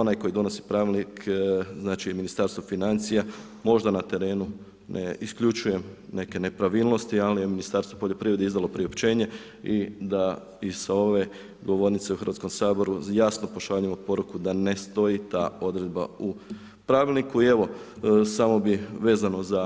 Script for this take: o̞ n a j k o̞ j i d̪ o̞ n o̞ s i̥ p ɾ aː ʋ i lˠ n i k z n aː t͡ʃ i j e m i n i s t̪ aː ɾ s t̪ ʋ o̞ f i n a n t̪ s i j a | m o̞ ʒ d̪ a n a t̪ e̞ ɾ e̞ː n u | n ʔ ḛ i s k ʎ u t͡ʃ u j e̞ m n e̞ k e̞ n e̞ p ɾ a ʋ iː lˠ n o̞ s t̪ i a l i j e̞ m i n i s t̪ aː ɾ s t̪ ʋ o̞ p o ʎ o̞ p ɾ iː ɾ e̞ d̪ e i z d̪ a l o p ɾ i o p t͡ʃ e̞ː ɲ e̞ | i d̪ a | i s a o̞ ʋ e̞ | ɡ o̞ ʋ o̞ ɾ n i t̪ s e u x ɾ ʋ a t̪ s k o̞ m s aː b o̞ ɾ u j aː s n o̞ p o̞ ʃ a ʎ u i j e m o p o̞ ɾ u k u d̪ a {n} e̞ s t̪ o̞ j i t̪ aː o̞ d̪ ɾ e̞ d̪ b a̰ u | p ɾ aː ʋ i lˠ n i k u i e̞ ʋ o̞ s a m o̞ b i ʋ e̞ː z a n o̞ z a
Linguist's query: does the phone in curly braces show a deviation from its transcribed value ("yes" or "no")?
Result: no